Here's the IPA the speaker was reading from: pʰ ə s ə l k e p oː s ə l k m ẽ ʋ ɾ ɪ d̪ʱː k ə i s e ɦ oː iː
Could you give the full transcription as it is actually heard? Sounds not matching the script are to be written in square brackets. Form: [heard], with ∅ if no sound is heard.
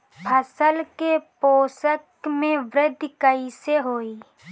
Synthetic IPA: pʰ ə s ə l k e p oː s ə [∅] k m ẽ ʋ ɾ ɪ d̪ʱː k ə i s e ɦ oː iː